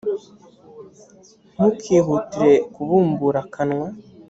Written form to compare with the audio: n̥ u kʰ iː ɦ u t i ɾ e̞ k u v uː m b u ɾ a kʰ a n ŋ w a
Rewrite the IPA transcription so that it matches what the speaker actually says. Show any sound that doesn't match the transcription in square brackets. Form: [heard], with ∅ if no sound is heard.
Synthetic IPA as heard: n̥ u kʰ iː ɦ u t i ɾ e̞ k u [β] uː m b u ɾ a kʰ a n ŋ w a